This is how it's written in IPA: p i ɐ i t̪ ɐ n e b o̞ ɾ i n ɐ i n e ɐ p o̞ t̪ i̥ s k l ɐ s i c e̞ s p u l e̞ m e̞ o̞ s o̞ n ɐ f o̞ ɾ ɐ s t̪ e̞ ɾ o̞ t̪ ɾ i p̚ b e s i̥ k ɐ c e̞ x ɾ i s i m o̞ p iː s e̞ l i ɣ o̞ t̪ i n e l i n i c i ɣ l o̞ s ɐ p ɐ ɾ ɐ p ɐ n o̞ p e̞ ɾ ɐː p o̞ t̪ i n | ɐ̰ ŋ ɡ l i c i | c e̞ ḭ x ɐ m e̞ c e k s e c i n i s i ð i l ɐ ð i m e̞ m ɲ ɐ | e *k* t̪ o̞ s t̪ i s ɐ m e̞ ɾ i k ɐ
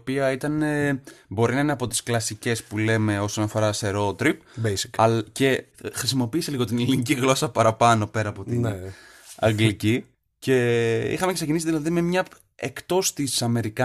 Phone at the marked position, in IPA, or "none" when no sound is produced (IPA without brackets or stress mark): k